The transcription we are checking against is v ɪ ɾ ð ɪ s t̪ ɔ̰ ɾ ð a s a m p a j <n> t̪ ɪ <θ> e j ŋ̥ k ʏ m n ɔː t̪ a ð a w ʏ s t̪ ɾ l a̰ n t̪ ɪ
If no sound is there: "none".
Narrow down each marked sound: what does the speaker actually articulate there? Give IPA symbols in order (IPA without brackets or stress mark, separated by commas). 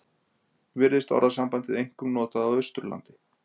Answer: n, ð